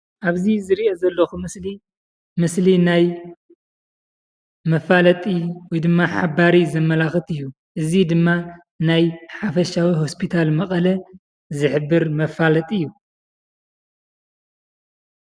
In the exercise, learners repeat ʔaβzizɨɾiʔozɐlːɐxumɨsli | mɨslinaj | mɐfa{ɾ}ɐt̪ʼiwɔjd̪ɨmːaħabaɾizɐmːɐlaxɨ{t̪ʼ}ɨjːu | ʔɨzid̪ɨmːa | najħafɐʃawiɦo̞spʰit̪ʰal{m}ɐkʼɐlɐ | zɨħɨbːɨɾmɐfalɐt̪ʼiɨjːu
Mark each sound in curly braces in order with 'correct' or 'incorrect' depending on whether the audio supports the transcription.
incorrect: l, incorrect: t̪, correct

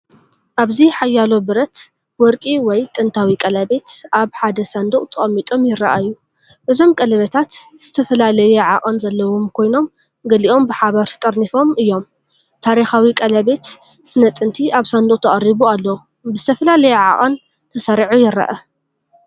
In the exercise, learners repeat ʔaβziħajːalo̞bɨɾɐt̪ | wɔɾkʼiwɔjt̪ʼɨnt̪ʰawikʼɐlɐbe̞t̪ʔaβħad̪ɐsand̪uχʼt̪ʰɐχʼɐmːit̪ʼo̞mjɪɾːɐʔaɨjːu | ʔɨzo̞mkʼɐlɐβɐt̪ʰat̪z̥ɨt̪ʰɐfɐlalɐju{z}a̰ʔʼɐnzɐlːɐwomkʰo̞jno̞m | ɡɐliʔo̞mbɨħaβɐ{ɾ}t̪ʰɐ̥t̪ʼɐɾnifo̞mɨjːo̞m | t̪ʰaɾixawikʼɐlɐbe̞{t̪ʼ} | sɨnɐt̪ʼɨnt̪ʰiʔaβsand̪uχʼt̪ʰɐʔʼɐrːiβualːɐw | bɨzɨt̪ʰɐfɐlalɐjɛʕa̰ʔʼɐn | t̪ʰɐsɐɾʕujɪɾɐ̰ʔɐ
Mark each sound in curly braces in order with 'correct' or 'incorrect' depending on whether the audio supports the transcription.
incorrect: ʕ, correct, incorrect: t̪

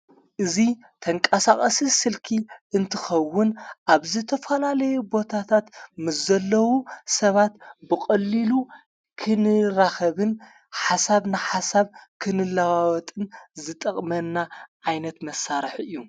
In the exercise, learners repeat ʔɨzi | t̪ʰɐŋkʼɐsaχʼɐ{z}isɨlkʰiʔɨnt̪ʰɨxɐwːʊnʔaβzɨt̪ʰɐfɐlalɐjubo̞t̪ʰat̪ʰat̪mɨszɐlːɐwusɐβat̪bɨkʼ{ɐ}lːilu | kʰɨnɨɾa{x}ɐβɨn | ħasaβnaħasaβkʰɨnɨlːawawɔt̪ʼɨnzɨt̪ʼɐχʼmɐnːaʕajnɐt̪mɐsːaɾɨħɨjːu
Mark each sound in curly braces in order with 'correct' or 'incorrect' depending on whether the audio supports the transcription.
incorrect: s, correct, correct

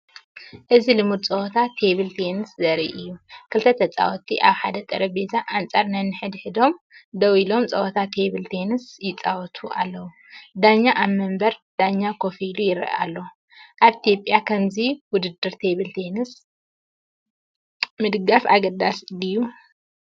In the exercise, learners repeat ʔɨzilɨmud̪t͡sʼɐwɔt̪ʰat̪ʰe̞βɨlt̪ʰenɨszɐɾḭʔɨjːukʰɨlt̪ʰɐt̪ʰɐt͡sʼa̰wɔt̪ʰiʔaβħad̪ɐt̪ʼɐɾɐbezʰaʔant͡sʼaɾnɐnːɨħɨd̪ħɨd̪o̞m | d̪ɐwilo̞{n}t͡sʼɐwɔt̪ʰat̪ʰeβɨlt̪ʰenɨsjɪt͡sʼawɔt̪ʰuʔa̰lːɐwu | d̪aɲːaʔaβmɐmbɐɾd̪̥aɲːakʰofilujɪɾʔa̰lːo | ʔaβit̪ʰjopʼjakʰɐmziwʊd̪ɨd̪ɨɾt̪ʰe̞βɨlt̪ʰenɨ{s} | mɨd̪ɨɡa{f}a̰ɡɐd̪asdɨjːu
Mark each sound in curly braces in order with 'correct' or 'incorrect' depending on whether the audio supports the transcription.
incorrect: m, correct, correct

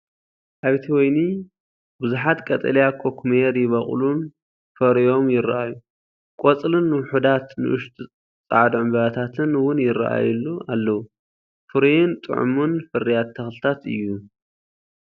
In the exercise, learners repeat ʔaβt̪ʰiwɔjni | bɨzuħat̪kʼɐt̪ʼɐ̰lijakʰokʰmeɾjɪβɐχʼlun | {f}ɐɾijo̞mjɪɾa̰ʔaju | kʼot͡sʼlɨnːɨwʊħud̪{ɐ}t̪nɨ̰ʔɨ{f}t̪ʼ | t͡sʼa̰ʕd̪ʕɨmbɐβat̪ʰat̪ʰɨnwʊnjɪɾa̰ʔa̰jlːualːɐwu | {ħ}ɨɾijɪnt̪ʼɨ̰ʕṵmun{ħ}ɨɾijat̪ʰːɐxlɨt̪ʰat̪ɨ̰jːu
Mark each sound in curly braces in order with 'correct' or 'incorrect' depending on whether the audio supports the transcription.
correct, incorrect: a, incorrect: ʃ, incorrect: f, incorrect: f

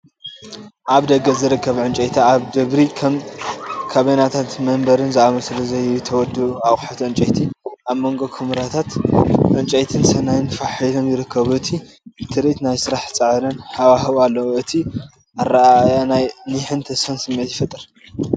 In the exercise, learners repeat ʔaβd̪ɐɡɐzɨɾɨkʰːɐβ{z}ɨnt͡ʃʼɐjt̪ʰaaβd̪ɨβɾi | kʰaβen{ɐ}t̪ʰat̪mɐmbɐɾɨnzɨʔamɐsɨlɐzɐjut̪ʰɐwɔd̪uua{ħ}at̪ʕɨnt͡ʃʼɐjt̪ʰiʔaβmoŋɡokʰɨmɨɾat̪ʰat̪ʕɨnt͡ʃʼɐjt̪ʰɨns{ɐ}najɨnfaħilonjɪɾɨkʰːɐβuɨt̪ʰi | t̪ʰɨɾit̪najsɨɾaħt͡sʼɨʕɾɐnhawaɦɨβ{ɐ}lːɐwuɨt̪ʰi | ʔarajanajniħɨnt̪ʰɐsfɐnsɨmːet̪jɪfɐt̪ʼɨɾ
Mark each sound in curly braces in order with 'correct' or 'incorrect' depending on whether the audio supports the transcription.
incorrect: ʕ, incorrect: a, correct, correct, incorrect: a

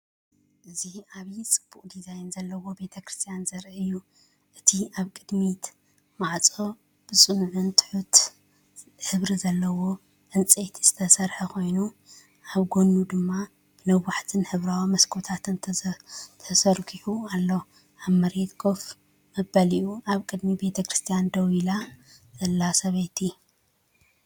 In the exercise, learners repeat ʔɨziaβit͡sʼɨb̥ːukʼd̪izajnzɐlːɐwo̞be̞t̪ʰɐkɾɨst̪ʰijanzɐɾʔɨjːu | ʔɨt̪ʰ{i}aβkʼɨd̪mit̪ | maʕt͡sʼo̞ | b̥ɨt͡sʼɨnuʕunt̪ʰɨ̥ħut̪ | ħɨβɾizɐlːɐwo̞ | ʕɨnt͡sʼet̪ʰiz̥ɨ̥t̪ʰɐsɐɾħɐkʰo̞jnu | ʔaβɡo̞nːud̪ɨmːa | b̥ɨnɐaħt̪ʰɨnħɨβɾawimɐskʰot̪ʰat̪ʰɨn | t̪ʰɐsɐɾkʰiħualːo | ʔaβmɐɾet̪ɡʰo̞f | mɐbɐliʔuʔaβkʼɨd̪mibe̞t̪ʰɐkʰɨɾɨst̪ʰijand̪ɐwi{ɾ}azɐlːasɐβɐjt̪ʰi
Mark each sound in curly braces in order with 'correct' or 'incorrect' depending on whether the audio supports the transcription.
correct, incorrect: l

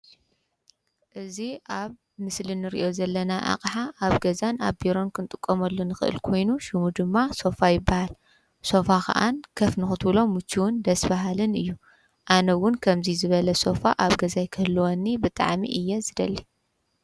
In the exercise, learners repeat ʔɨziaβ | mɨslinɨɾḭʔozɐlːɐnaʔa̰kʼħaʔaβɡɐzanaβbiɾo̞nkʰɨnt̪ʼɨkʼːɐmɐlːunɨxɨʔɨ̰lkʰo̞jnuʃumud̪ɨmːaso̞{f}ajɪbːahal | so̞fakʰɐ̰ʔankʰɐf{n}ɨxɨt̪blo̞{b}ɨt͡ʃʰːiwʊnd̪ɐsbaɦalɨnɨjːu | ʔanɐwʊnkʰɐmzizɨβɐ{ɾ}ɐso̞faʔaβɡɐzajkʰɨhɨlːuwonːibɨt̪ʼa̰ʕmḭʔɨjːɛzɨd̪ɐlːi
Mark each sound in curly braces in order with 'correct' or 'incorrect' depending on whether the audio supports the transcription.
correct, correct, incorrect: m, incorrect: l

